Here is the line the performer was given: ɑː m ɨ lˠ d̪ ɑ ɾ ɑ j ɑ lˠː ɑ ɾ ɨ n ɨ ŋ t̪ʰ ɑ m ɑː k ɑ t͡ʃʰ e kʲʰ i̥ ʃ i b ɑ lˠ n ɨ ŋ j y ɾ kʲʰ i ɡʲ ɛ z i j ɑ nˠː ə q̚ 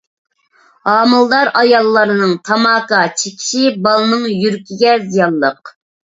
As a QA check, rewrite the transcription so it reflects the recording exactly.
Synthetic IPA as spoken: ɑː m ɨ lˠ d̪ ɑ ɾ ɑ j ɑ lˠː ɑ ɾ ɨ n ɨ ŋ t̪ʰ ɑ m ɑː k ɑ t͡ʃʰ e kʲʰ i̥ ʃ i b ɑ lˠ n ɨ ŋ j y ɾ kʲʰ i ɡʲ ɛ z i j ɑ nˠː ə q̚